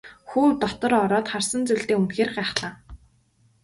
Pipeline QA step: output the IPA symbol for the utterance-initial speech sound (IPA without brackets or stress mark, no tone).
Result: x